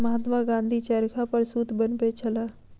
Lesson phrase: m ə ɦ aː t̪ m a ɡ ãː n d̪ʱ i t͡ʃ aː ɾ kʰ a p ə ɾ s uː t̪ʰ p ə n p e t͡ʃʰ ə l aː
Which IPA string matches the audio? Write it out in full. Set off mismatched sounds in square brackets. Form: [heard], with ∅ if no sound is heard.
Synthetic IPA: m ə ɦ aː t̪ m a ɡ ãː n d̪ʱ i t͡ʃ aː ɾ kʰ a p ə ɾ s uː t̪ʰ [b] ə n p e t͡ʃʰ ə l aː